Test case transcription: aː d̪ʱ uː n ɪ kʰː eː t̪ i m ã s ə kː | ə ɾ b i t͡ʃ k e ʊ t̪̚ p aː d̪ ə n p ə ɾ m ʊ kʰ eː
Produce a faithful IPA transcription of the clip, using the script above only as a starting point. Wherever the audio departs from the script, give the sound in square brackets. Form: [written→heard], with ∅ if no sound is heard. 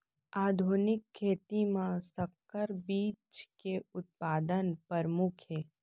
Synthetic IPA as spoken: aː d̪ʱ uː n ɪ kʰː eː t̪ i m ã s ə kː | ə ɾ b [i→iː] t͡ʃ k e ʊ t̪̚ p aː d̪ ə n p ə ɾ m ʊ kʰ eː